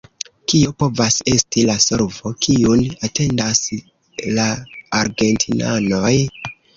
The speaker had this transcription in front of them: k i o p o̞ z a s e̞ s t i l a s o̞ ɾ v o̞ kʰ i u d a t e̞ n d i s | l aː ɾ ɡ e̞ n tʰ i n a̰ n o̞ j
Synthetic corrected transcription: k i o p o̞ v a s e̞ s t i l a s o̞ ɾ v o̞ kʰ i u n a t e̞ n d a s | l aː ɾ ɡ e̞ n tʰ i n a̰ n o̞ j